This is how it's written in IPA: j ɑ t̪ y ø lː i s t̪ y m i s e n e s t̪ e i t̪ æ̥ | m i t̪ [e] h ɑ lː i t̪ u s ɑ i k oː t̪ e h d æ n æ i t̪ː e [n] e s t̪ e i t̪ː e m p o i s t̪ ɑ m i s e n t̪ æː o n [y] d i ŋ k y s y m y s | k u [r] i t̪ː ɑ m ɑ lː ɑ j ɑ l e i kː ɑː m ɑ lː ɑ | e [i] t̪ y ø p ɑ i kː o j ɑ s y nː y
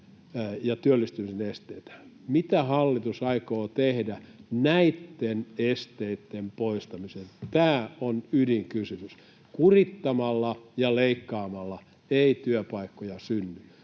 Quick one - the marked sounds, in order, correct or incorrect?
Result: incorrect, correct, correct, correct, correct

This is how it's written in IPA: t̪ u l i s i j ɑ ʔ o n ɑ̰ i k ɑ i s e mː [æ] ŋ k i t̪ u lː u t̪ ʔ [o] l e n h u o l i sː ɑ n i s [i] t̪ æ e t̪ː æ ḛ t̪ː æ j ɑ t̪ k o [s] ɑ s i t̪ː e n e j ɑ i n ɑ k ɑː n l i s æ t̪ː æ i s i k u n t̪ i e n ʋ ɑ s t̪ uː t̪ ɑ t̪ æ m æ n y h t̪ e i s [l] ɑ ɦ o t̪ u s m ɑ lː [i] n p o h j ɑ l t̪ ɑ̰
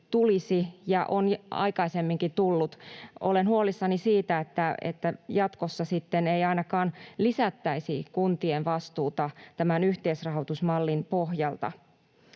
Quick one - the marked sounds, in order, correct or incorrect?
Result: incorrect, correct, incorrect, incorrect, incorrect, correct

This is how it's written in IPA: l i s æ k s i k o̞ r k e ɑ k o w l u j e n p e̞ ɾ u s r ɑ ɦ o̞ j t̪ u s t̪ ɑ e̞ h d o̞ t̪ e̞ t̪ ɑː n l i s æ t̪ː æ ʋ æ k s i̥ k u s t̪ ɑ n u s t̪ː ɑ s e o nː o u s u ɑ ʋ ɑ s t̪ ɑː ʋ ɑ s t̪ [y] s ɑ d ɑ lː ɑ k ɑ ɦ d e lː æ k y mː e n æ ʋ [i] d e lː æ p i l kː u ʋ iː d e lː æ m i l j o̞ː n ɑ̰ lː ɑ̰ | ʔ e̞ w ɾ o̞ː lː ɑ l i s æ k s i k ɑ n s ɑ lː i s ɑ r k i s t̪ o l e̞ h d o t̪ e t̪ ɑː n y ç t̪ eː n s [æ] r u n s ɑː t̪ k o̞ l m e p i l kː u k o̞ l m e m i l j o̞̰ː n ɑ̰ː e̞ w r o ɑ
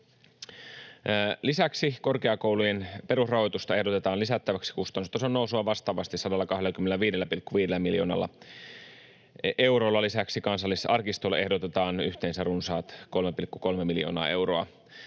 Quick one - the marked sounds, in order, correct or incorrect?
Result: incorrect, incorrect, correct

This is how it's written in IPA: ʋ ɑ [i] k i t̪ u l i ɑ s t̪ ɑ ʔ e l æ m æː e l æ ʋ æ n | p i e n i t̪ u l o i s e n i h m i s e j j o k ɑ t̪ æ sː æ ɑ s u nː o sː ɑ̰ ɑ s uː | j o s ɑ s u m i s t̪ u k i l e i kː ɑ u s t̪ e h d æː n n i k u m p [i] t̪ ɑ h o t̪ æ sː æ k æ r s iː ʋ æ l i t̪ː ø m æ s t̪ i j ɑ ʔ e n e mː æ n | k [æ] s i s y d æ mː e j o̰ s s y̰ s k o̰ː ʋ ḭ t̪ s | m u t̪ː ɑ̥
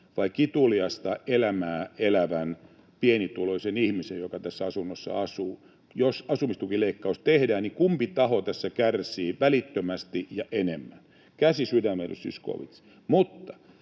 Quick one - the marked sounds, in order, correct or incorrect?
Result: correct, correct, correct

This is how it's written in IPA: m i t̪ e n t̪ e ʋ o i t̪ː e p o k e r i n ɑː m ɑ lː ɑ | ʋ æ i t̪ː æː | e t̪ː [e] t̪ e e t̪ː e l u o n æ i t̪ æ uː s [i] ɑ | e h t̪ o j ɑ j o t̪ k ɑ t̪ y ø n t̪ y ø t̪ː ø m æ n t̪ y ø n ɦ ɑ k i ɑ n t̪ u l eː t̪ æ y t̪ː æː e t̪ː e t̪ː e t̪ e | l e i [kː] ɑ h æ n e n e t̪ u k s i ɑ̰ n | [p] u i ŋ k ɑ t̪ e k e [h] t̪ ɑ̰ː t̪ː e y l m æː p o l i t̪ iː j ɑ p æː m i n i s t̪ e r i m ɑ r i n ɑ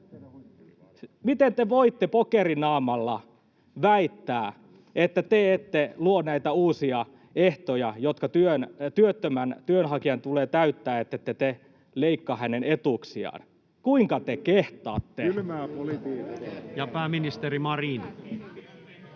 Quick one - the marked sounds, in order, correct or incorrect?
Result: incorrect, correct, correct, incorrect, correct

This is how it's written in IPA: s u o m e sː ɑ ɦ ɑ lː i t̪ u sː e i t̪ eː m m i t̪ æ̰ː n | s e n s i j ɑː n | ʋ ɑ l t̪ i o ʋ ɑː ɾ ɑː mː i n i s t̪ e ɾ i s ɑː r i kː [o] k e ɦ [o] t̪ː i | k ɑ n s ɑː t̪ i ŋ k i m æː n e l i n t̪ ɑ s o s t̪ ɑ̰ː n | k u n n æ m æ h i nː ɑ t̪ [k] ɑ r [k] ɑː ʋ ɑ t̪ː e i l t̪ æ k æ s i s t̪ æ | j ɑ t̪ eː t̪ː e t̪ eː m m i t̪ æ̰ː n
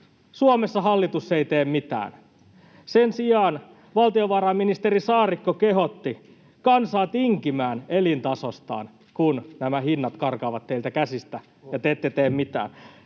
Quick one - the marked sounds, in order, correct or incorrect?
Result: correct, correct, correct, correct

